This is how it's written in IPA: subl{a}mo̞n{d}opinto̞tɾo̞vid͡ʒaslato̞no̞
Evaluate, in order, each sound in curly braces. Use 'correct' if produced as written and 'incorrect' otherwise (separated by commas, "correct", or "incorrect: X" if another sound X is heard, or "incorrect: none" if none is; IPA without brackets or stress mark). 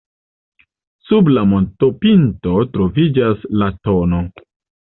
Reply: correct, incorrect: t